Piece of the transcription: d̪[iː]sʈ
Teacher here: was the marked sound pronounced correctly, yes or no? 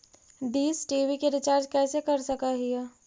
yes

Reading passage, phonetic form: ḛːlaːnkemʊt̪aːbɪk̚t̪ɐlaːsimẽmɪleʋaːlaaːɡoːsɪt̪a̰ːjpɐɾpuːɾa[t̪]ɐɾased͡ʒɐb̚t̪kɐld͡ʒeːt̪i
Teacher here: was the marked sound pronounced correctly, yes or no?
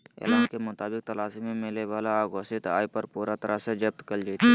yes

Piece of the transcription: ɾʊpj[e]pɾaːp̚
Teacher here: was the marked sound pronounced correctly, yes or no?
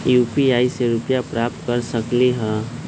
no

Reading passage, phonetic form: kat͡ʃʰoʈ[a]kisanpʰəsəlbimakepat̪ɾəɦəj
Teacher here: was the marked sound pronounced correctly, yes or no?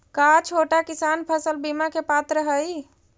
yes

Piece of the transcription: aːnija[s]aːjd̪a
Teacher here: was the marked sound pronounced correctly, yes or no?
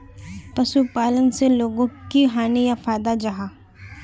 no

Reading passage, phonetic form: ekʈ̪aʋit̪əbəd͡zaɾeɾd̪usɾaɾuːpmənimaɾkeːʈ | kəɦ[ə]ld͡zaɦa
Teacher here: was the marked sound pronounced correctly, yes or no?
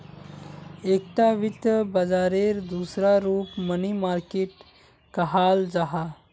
no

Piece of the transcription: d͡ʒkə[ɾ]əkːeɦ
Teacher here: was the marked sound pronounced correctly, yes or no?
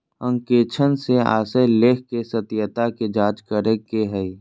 yes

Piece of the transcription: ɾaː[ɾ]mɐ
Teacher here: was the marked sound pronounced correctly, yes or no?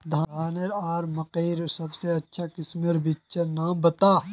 yes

